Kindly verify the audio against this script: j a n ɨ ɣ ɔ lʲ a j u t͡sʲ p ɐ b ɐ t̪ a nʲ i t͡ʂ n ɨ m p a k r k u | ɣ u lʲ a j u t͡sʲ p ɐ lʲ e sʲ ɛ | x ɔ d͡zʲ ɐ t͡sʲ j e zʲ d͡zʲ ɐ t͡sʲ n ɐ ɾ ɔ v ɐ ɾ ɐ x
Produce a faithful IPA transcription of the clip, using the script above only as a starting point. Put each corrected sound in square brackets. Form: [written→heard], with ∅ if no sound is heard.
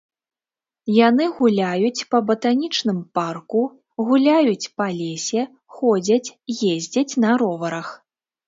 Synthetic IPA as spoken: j a n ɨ ɣ [ɔ→u] lʲ a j u t͡sʲ p ɐ b ɐ t̪ a nʲ i t͡ʂ n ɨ m p a [k→∅] r k u | ɣ u lʲ a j u t͡sʲ p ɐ lʲ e sʲ ɛ | x ɔ d͡zʲ ɐ t͡sʲ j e zʲ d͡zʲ ɐ t͡sʲ n ɐ ɾ ɔ v ɐ ɾ ɐ x